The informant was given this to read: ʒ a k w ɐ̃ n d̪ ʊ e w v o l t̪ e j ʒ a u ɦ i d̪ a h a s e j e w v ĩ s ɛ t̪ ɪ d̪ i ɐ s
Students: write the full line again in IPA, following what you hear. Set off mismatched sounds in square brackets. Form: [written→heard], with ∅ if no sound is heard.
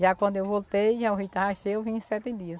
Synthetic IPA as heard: ʒ a k w ɐ̃ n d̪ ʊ e w v o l t̪ e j ʒ a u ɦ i [d̪→t̪] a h a [s→ʃ] e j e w v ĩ s ɛ t̪ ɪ d̪ i ɐ s